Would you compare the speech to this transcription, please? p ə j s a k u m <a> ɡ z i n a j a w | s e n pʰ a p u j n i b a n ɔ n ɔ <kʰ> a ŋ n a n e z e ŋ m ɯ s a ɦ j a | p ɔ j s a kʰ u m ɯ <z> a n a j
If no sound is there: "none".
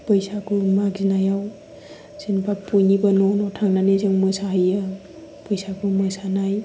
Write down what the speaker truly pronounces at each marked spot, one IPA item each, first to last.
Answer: a, tʰ, s

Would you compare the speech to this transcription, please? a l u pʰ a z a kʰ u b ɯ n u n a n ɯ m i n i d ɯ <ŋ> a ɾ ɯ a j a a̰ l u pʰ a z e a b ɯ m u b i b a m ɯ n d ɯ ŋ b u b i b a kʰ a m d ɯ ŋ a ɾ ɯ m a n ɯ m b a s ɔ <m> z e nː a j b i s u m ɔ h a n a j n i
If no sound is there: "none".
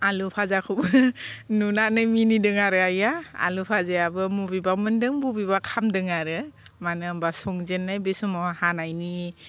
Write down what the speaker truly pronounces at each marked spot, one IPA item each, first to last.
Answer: ŋ, ŋ

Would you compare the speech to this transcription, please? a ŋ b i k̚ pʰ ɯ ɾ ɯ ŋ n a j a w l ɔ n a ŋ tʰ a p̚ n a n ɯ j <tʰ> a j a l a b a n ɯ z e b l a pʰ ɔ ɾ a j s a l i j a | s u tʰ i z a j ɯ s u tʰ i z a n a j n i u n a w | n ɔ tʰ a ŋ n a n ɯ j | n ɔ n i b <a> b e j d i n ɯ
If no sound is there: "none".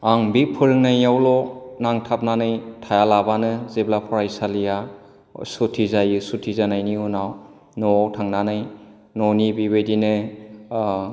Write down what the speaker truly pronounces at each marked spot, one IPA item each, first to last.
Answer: tʰ, i

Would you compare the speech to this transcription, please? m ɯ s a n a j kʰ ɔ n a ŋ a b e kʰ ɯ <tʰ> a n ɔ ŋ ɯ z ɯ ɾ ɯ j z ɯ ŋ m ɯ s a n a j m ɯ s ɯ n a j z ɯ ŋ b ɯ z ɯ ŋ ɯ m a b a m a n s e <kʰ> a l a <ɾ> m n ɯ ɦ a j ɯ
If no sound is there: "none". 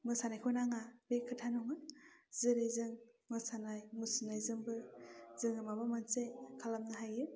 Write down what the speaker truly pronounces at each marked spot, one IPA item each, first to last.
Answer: tʰ, kʰ, none

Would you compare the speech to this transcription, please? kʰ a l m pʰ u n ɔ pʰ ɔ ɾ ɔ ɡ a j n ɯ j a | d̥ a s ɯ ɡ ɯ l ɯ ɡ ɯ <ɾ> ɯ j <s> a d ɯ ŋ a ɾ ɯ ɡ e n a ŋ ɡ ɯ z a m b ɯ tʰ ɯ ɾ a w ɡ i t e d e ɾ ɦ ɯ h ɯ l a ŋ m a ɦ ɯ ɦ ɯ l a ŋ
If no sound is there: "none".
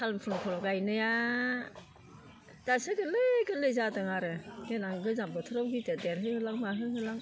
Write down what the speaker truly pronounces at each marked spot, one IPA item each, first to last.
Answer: l, z

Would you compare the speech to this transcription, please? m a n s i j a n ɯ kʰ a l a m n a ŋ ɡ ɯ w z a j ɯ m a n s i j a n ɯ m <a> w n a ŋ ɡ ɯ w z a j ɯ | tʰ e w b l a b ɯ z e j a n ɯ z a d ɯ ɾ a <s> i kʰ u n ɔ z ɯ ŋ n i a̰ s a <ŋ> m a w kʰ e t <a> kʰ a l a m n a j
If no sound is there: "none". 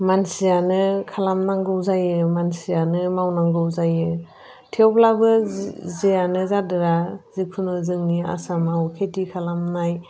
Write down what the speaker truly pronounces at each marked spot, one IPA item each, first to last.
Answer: a, z, none, i

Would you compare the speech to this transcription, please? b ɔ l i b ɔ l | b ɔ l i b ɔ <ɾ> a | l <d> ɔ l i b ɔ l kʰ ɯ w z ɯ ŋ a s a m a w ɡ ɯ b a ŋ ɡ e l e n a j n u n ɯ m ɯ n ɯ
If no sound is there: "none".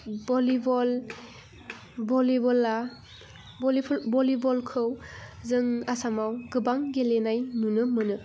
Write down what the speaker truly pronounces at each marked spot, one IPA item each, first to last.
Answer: l, b

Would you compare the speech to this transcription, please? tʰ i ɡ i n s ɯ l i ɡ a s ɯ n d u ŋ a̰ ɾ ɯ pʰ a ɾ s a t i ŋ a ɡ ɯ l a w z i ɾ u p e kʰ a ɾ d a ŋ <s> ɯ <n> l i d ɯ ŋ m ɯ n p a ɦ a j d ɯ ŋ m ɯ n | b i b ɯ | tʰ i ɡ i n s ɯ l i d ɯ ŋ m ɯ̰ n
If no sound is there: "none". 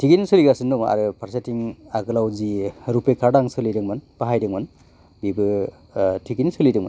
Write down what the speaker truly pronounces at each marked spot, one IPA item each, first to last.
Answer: s, none

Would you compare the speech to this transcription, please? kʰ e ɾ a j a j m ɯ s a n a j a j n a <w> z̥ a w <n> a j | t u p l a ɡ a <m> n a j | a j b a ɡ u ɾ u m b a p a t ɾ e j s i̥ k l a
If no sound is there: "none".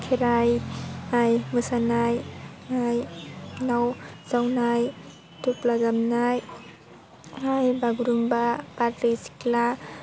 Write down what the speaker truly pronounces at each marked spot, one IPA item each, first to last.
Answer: w, n, m

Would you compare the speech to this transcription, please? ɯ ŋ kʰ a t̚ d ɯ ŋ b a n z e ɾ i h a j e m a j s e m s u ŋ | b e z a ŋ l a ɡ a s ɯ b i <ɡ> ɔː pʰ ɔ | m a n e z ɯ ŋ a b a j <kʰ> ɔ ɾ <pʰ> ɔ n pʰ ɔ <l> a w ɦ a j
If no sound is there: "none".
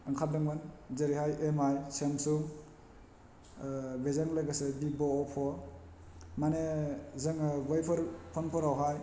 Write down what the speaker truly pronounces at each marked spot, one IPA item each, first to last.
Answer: b, pʰ, pʰ, ɾ

